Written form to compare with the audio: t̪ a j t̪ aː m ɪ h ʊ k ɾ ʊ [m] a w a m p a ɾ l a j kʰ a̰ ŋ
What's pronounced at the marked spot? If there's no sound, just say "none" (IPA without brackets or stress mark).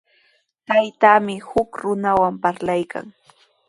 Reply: n